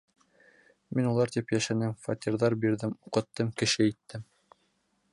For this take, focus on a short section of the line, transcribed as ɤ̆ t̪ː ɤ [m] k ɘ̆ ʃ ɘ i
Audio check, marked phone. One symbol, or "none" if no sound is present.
m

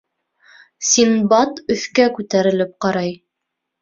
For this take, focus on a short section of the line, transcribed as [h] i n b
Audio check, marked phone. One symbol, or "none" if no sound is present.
s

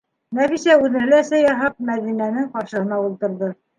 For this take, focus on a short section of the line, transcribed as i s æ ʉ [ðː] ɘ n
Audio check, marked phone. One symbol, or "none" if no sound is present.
ð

